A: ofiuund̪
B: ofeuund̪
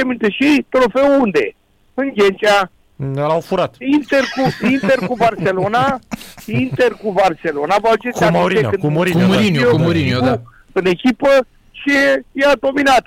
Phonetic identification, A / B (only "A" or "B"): B